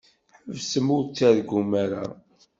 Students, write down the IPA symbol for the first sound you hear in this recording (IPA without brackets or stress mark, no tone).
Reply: ħ